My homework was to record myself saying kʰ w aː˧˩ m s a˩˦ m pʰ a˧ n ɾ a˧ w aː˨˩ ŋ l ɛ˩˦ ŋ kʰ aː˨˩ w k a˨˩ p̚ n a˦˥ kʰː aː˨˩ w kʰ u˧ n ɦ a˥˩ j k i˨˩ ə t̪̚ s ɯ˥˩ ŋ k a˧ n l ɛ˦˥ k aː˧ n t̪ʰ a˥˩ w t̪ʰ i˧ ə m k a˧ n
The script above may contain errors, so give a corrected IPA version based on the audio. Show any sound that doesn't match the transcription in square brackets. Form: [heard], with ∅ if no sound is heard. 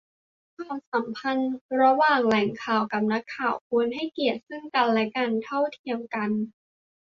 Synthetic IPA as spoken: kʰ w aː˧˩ m s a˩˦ m pʰ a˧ n ɾ a˧ w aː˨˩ ŋ l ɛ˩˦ ŋ kʰ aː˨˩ w k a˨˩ p̚ n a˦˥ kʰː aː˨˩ w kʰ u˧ n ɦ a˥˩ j k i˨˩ ə t̪̚ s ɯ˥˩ ŋ k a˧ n l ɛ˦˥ k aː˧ n t̪ʰ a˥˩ w t̪ʰ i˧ ə m k a˧ n